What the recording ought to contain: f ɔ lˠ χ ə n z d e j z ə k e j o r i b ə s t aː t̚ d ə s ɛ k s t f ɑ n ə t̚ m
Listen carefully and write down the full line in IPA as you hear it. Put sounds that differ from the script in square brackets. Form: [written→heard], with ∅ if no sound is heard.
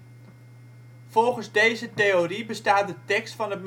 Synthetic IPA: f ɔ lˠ χ ə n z d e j z ə [k→t] e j o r i b ə s t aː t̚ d ə [s→t] ɛ k s t f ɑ n ə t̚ m